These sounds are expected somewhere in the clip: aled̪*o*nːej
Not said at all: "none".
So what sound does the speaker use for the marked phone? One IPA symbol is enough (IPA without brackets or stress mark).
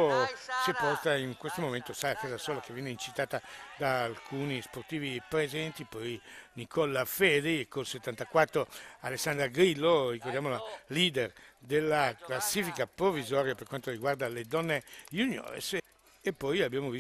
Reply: ɔ